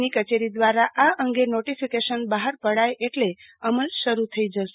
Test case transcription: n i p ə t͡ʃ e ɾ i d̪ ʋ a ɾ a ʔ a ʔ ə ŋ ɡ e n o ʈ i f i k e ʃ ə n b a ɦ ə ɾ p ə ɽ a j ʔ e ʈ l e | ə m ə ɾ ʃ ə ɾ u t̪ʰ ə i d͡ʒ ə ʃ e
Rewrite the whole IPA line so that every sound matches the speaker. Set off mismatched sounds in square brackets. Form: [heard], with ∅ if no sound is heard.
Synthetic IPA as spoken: n i [k] ə t͡ʃ e ɾ i d̪ ʋ a ɾ a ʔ a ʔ ə ŋ ɡ e n o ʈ i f i k e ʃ ə n b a ɦ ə ɾ p ə ɽ a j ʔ e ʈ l e | ə m ə [l] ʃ ə ɾ u t̪ʰ ə i d͡ʒ ə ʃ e